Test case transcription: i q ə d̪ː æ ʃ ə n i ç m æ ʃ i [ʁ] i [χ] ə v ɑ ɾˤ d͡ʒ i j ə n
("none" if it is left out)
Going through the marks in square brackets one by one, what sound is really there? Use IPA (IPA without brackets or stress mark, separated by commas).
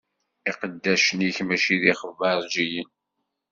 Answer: ð, χ